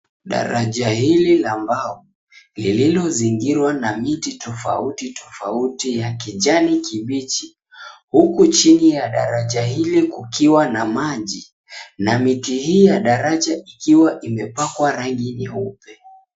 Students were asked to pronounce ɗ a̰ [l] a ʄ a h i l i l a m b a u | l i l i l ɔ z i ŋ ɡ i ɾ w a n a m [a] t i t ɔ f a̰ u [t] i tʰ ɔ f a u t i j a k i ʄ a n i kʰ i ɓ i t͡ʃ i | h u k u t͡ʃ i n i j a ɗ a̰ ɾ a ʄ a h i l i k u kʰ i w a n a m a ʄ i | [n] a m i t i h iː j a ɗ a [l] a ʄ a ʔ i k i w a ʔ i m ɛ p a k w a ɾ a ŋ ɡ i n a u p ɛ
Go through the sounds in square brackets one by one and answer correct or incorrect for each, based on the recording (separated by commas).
incorrect, incorrect, correct, correct, incorrect